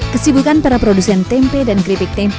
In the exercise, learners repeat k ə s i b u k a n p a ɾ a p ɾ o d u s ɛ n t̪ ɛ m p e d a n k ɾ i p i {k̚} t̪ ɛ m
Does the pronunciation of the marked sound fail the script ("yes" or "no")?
no